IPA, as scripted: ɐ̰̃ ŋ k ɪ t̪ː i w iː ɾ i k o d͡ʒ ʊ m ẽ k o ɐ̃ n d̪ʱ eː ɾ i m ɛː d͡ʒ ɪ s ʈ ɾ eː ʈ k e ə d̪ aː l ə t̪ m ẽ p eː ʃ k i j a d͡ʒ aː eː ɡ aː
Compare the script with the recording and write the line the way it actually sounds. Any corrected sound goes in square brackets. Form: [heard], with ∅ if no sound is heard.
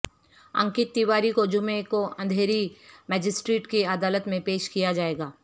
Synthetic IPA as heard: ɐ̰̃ ŋ k ɪ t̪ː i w [aː] ɾ i k o d͡ʒ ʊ m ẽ k o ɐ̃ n d̪ʱ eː ɾ i m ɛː d͡ʒ ɪ s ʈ ɾ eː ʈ k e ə d̪ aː l ə t̪ m ẽ p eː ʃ k i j a d͡ʒ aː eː ɡ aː